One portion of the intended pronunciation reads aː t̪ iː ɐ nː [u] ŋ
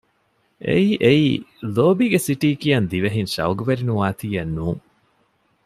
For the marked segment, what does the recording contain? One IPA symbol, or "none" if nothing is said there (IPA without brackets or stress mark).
uː